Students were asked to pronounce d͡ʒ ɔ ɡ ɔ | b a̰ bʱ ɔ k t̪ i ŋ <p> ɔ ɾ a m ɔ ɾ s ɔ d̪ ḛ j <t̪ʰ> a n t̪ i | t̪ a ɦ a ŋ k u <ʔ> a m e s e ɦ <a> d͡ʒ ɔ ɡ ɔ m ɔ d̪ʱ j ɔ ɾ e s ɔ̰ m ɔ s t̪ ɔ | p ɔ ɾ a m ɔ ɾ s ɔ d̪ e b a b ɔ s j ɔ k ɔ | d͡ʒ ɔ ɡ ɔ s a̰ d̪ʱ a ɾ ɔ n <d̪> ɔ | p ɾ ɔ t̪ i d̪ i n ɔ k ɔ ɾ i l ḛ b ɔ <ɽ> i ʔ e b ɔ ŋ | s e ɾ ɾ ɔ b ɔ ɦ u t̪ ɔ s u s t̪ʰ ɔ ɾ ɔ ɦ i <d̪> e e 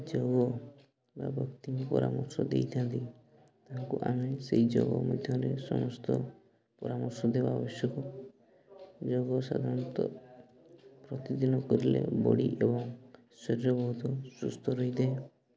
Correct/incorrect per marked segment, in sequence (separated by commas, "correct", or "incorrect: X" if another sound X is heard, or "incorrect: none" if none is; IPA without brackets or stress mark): correct, correct, correct, incorrect: i, incorrect: t̪, correct, correct